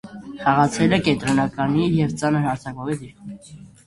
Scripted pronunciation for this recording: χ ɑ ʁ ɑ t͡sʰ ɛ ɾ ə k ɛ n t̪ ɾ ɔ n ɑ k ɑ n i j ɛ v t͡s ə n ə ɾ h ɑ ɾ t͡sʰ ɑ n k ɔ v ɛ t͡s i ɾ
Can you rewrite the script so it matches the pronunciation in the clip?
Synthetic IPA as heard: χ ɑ ʁ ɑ t͡sʰ ɛ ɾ ə k ɛ n t̪ ɾ ɔ n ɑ k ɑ n i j ɛ v t͡s ɑ n ə ɾ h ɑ ɾ t͡sʰ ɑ k ɔ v ɛ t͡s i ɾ

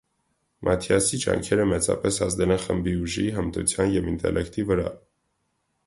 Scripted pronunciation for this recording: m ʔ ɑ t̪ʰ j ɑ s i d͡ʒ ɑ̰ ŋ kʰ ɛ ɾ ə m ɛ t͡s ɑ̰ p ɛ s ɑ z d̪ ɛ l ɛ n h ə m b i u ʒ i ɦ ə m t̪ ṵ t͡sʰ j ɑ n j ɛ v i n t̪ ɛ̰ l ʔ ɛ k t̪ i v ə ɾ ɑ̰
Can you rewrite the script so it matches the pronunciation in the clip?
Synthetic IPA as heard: m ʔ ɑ t̪ʰ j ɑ s i d͡ʒ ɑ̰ ŋ kʰ ɛ ɾ ə m ɛ t͡s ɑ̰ p ɛ s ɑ z d̪ ɛ l ɛ n χ ə m b i u ʒ i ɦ ə m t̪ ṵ t͡sʰ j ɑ n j ɛ v i n t̪ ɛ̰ l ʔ ɛ k t̪ i v ə ɾ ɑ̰

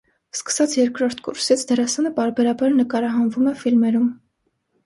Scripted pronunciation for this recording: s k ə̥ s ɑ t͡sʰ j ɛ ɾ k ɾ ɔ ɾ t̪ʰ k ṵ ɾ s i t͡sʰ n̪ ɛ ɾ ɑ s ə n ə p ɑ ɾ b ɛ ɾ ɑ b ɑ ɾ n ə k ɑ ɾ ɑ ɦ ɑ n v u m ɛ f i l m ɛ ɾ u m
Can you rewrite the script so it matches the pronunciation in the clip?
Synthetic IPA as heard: s k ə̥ s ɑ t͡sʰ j ɛ ɾ k ɾ ɔ ɾ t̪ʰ k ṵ ɾ s i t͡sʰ d̪ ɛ ɾ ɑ s ɑ n ə p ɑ ɾ b ɛ ɾ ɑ b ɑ ɾ n ə k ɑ ɾ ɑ ɦ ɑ n v u m ɛ f i l m ɛ ɾ u m

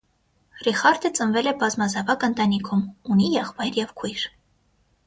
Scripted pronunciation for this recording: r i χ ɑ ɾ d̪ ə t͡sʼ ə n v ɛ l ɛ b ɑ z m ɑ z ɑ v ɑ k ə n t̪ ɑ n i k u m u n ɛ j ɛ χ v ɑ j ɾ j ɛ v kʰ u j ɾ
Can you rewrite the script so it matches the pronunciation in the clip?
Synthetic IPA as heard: r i χ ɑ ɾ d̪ ə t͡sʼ ə n v ɛ l ɛ b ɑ z m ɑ z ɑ v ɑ k ə n t̪ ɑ n i kʰ u m u n i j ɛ χ v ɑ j ɾ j ɛ v kʰ u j ɾ

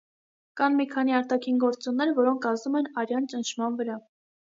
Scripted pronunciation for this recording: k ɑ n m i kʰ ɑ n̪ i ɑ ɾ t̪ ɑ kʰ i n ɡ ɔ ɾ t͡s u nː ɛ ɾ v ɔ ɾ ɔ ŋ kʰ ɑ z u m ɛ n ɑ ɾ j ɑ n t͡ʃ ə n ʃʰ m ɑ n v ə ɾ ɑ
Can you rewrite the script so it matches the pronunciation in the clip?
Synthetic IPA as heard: k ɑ n m i kʰ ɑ n̪ i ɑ ɾ t̪ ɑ kʰ i n ɡ ɔ ɾ t͡s u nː ɛ ɾ v ɔ ɾ ɔ ŋ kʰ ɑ z u m ɛ n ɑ ɾ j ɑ n t͡ʃ ə n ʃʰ m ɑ n v ə ɾ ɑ

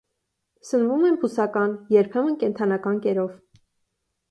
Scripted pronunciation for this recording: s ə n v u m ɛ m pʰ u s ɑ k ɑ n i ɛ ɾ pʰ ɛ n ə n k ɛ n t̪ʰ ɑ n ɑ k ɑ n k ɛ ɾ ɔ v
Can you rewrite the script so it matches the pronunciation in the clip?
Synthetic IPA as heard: s ə n v u m ɛ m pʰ u s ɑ k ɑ n j ɛ ɾ pʰ ɛ m ə n k ɛ n t̪ʰ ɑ n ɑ k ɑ n k ɛ ɾ ɔ v

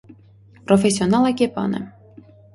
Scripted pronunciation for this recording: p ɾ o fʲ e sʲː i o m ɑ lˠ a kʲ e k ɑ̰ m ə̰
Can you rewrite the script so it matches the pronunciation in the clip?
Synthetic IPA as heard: p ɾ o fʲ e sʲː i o n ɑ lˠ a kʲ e p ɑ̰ n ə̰

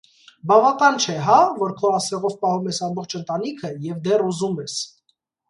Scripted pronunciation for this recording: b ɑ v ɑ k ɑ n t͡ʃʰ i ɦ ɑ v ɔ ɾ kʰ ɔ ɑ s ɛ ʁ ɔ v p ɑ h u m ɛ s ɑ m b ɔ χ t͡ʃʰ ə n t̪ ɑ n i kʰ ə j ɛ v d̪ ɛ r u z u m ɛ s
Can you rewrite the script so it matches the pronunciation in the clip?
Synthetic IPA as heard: b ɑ v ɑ k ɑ n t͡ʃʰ ɛ ɦ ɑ v ɔ ɾ kʰ ɔ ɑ s ɛ ʁ ɔ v p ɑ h u m ɛ s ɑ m b ɔ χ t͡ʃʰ ə n t̪ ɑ n i kʰ ə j ɛ v d̪ ɛ r u z u m ɛ s

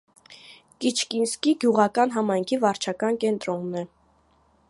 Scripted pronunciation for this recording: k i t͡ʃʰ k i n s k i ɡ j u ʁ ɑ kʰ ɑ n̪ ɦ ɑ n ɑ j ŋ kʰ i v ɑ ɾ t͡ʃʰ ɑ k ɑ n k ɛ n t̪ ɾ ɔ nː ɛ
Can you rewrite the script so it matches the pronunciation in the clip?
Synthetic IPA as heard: k i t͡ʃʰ k i n s k i ɡ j u ʁ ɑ k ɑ n̪ ɦ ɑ m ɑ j ŋ kʰ i v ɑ ɾ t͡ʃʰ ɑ k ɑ n k ɛ n t̪ ɾ ɔ nː ɛ

